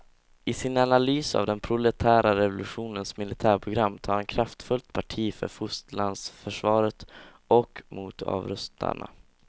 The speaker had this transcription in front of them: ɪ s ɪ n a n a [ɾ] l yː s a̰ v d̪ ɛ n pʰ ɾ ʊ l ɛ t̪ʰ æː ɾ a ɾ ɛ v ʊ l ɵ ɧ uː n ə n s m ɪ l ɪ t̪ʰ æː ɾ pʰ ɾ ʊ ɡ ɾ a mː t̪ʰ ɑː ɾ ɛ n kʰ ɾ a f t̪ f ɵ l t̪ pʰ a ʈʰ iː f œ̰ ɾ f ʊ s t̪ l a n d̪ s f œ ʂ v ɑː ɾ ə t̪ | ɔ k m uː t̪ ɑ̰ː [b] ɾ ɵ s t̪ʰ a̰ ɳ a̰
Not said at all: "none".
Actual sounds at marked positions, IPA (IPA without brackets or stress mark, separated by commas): none, v